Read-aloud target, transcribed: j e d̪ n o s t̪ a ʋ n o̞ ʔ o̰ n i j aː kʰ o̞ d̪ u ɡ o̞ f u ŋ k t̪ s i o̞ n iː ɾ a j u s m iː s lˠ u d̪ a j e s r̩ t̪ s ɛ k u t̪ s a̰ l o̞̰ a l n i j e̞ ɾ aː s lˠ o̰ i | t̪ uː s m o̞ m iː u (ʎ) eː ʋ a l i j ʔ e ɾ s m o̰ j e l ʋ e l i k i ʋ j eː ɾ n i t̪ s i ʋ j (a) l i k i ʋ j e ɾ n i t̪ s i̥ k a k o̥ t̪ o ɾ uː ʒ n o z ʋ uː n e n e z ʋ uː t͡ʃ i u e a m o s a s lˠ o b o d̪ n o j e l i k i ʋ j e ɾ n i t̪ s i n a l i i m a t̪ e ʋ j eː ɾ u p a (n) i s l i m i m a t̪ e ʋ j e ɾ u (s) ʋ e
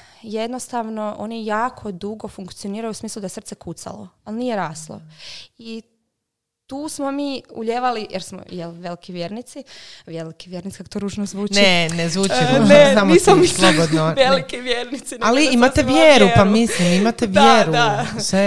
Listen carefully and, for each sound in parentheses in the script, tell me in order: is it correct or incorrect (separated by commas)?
correct, incorrect, incorrect, correct